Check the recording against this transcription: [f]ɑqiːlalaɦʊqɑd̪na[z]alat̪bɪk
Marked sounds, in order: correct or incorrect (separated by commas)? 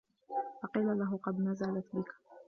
correct, correct